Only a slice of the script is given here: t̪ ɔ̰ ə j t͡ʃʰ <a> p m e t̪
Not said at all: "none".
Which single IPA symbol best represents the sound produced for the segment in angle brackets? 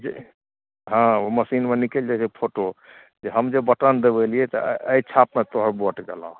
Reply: a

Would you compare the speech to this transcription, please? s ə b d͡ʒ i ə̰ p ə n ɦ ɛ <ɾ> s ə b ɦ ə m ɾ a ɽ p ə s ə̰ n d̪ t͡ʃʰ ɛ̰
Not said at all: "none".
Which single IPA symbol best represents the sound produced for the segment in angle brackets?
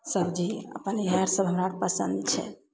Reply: ɾ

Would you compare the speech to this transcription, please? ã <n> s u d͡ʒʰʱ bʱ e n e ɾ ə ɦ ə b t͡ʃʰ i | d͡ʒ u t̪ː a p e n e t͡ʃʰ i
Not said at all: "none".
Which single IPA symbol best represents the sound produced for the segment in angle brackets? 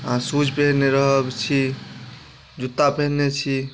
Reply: none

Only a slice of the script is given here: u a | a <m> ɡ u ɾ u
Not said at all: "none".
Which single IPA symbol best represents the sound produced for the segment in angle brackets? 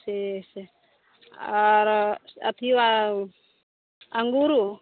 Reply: ŋ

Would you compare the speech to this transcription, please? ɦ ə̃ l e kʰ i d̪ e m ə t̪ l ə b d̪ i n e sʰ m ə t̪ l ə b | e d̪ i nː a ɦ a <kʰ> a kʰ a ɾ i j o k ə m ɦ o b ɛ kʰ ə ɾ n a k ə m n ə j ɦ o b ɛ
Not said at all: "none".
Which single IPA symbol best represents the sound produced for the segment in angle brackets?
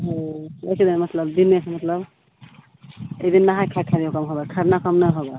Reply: kʰ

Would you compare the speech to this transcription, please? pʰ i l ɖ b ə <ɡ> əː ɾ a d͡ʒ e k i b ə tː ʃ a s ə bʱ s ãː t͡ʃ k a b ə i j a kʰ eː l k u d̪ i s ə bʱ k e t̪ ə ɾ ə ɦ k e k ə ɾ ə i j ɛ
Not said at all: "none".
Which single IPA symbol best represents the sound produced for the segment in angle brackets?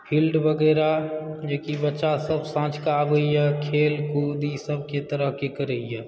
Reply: ɡ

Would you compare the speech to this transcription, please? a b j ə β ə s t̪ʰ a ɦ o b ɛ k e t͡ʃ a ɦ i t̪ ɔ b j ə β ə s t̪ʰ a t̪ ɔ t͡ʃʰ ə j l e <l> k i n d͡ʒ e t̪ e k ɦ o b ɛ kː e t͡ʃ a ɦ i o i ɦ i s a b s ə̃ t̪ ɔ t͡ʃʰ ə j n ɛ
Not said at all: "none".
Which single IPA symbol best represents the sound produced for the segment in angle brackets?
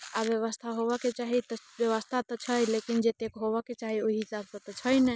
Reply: none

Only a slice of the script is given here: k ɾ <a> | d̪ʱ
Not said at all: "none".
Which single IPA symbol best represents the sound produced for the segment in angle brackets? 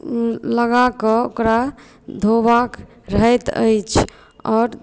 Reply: a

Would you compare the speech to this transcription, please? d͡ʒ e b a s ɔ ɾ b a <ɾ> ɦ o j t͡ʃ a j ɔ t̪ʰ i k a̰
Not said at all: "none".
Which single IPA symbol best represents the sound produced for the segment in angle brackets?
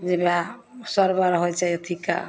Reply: ɾ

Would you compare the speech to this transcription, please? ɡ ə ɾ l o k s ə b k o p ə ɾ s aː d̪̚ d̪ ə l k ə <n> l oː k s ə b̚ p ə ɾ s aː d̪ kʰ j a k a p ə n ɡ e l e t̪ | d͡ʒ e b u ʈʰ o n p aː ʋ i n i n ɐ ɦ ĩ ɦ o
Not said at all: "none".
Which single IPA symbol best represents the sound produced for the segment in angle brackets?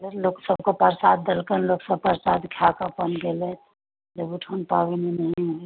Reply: n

